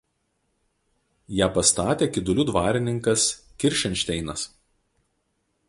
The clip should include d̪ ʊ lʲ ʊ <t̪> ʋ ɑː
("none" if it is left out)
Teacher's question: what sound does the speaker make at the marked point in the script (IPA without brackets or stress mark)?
d̪